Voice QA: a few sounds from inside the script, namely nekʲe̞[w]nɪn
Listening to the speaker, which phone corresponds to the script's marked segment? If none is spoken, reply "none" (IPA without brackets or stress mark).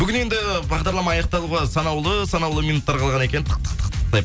none